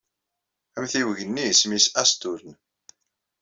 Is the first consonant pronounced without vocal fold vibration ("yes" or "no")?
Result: no